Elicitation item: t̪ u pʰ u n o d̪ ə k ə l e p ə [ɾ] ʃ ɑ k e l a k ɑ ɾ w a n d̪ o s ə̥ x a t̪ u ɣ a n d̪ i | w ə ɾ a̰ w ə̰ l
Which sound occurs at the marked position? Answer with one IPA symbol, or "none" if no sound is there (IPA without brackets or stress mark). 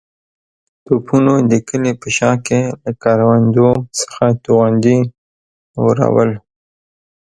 none